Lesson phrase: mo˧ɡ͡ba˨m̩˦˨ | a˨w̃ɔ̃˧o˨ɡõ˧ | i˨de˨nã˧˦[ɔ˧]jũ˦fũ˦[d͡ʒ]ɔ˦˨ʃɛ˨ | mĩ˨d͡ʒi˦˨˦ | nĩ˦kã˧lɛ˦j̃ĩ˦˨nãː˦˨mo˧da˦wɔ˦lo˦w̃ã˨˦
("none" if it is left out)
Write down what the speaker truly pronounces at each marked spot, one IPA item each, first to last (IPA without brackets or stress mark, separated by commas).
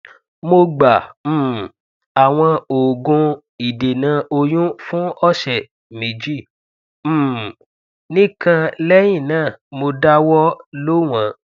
o˧, none